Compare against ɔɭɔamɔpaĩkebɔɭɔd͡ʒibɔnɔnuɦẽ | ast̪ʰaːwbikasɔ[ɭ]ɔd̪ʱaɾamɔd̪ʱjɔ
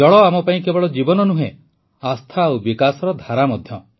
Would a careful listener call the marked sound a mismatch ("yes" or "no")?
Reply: yes